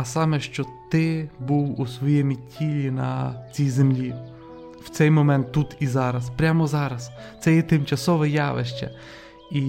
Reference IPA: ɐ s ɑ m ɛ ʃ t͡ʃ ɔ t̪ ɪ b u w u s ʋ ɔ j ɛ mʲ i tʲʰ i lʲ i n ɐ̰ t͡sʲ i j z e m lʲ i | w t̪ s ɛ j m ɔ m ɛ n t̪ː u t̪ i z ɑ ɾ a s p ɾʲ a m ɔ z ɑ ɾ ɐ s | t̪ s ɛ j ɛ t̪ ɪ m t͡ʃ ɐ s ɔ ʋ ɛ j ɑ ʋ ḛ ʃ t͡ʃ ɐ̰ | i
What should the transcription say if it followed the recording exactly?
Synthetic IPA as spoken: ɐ s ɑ m ɛ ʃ t͡ʃ ɔ t̪ ɪ b u w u s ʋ ɔ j ɛ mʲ i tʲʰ i lʲ i n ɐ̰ t͡sʲ i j z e m lʲ i | w t̪ s ɛ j m ɔ m ɛ n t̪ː u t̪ i z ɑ ɾ ɐ s p ɾʲ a m ɔ z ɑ ɾ ɐ s | t̪ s ɛ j ɛ t̪ ɪ m t͡ʃ ɐ s ɔ ʋ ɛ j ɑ ʋ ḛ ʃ t͡ʃ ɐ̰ | i